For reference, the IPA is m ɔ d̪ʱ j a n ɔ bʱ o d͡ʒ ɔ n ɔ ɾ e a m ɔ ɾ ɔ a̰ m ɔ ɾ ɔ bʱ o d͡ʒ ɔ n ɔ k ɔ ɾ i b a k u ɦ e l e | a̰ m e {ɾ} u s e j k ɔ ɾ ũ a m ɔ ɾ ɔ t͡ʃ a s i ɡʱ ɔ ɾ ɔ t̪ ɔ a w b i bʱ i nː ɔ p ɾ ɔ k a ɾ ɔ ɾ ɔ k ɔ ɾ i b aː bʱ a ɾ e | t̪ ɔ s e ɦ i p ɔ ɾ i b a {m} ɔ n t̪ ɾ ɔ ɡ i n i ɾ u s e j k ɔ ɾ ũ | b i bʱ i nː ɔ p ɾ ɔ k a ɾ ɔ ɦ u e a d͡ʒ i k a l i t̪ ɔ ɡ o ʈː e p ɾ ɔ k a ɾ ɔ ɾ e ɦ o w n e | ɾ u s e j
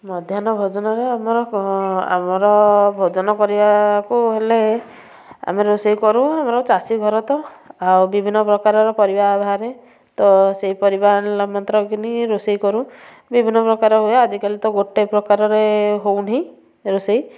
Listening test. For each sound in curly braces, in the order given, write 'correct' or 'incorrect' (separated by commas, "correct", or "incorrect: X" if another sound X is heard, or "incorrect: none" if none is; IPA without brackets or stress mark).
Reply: correct, correct